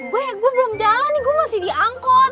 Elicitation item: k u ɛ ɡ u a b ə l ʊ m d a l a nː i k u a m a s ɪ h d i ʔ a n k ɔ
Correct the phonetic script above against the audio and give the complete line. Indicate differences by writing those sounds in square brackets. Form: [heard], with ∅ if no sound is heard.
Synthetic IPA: [ɡ] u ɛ ɡ u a b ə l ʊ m [d͡ʒ] a l a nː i [ɡ] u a m a s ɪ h d i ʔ a [ŋ] k ɔ